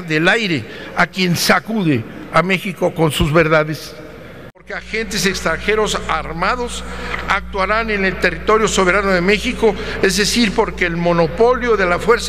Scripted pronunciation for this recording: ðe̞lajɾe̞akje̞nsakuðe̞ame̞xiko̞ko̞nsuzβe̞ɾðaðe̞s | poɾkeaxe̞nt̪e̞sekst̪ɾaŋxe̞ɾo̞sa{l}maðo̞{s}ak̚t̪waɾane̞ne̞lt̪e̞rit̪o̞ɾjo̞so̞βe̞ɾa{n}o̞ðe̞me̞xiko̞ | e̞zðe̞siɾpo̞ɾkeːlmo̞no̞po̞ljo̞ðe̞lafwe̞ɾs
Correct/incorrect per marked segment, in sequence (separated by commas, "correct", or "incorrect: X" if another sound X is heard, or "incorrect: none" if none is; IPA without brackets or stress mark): incorrect: ɾ, correct, correct